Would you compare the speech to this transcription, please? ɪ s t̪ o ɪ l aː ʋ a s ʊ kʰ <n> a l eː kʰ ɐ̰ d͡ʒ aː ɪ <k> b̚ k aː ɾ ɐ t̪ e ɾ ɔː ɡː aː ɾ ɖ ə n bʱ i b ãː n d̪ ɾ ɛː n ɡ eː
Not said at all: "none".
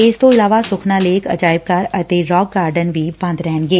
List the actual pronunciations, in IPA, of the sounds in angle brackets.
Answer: n, none

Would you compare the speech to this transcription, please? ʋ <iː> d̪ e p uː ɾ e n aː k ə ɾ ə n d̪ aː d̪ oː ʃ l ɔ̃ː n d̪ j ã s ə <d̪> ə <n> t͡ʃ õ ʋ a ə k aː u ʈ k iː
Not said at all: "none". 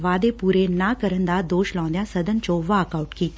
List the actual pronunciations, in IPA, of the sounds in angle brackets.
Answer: aː, d̪, n

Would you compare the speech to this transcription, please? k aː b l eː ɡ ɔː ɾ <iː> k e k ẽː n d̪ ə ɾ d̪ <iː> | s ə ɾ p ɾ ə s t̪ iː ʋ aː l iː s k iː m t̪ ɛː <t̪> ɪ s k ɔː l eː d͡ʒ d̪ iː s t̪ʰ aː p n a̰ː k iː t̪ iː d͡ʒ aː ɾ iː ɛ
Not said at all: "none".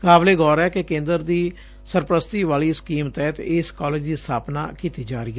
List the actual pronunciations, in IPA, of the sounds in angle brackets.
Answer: ɛː, iː, t̪

